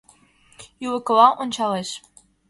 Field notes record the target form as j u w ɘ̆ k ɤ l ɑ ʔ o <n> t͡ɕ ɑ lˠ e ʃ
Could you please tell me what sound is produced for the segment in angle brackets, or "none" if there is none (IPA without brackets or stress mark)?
n